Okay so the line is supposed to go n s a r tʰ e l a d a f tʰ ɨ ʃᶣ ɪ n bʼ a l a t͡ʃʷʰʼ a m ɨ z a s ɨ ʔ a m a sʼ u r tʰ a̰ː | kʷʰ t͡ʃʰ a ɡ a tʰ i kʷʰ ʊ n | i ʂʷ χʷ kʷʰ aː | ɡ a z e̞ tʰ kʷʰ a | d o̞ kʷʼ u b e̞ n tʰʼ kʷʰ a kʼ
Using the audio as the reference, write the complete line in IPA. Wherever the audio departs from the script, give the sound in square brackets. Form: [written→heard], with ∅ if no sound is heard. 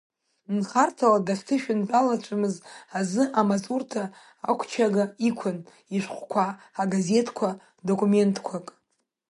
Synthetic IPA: n [s→χ] a r tʰ [e→a] l a d a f tʰ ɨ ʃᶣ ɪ n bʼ a l a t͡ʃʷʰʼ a m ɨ z a [s→z] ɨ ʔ a m a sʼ u r tʰ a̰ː | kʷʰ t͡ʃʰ a ɡ a [tʰ→∅] i kʷʰ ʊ n | i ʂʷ χʷ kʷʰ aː | ɡ a z e̞ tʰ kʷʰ a | d o̞ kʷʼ u [b→m] e̞ n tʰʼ kʷʰ a kʼ